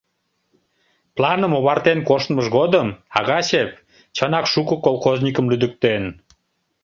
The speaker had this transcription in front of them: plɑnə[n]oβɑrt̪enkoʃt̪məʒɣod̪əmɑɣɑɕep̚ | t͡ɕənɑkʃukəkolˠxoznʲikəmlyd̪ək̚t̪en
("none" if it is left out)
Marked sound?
m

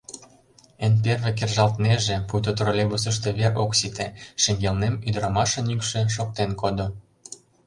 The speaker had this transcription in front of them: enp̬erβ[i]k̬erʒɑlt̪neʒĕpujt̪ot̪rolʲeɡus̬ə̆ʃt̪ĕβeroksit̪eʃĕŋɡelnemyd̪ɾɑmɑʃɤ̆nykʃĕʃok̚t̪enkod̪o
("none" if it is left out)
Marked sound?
e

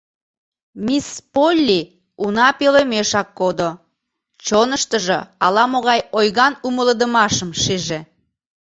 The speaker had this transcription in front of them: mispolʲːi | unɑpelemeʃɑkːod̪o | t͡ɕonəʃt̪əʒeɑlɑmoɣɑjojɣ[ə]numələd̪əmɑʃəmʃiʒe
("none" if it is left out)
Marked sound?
ɑ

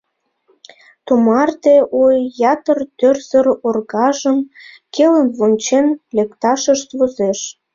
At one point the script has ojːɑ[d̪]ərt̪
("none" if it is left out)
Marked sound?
t̪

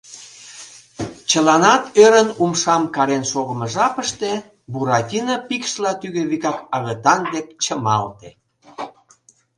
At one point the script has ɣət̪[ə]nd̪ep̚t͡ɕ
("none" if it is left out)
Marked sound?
ɑ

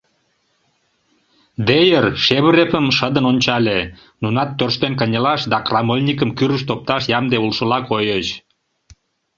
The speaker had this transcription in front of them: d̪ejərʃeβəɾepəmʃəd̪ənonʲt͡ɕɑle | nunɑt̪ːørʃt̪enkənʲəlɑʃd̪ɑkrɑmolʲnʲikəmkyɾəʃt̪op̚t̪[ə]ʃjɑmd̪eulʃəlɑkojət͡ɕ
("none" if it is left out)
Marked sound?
ɑ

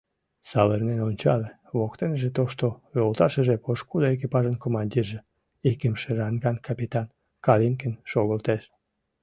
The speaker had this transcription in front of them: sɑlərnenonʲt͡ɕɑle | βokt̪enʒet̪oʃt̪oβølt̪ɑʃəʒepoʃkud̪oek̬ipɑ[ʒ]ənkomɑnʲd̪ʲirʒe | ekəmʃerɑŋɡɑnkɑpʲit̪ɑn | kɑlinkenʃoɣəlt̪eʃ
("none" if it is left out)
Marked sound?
ʒ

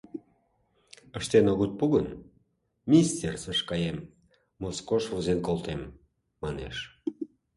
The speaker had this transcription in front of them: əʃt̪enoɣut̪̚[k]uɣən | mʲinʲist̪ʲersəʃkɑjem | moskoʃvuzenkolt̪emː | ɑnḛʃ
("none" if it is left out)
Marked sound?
p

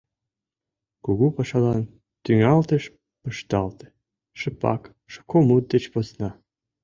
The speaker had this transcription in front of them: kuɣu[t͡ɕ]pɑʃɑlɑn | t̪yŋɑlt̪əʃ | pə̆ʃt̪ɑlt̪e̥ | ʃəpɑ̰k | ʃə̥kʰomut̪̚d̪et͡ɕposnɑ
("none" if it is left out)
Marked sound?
none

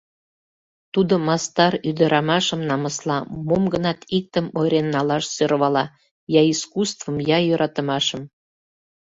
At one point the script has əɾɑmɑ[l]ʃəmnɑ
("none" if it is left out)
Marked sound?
none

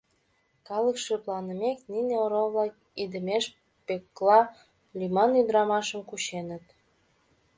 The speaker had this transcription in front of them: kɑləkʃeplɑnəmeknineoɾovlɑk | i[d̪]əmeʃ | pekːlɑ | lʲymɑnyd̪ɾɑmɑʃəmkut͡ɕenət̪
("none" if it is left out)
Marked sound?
d̪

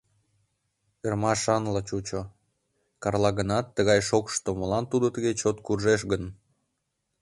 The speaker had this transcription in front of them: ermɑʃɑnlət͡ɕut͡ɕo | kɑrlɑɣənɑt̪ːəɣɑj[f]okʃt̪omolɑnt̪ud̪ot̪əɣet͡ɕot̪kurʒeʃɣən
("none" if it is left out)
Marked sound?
ʃ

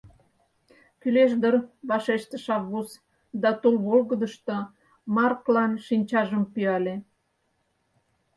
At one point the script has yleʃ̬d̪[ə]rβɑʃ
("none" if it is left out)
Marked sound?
ə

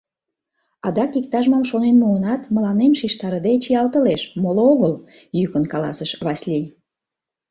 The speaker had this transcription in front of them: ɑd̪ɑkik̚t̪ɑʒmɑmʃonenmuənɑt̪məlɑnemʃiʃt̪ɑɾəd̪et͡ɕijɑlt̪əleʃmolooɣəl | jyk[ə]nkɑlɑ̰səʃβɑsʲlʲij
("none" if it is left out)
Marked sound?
ə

